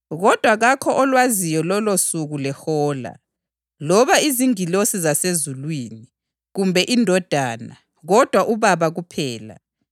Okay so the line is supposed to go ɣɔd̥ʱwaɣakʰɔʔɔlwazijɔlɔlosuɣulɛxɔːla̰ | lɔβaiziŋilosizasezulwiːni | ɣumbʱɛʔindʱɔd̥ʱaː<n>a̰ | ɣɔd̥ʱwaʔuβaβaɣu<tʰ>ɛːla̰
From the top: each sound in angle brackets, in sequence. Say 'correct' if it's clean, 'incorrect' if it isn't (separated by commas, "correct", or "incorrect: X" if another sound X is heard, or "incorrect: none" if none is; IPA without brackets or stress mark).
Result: correct, incorrect: pʰ